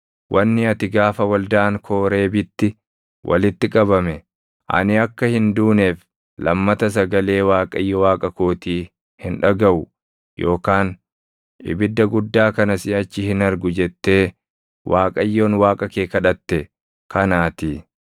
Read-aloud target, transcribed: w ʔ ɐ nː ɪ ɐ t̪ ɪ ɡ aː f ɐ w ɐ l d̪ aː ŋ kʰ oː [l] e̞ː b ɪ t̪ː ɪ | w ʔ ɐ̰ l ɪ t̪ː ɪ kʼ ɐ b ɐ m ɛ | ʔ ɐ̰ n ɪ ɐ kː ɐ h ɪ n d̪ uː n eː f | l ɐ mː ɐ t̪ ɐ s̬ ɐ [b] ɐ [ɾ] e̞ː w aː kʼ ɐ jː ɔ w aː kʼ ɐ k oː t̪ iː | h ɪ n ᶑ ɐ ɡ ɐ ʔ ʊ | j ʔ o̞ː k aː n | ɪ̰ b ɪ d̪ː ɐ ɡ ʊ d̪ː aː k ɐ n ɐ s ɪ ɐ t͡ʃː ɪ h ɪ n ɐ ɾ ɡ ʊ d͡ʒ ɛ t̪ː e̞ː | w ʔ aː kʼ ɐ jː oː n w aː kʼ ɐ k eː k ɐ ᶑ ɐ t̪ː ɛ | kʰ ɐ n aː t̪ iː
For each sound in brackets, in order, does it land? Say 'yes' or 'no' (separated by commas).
no, no, no